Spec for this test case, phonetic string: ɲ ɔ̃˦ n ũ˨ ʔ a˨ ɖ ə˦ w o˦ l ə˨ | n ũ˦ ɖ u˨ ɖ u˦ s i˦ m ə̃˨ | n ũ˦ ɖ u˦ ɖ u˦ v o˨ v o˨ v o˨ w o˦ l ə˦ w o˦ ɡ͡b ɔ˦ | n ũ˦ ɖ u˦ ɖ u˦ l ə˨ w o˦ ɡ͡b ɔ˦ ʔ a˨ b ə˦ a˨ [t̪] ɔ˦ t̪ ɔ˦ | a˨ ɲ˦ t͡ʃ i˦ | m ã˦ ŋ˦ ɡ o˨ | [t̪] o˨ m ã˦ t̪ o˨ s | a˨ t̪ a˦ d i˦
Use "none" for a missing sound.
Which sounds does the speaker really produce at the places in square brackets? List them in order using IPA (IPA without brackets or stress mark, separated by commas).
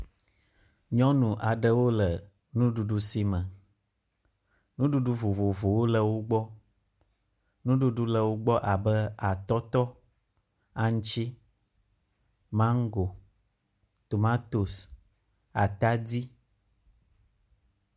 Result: t̪, t̪